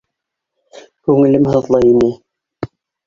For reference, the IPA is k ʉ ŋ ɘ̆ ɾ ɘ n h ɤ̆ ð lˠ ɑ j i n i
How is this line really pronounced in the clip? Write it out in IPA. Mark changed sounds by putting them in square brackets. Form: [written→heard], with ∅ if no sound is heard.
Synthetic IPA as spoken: k ʉ ŋ ɘ̆ [ɾ→l] ɘ [n→m] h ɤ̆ ð lˠ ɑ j i n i